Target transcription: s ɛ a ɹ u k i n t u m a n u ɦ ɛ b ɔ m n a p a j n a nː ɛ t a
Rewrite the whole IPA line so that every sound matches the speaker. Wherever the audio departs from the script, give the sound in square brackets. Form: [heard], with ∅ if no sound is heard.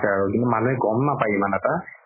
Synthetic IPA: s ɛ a ɹ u k i n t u m a n u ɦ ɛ [ɡ] ɔ m n a p a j [m] a [n] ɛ t a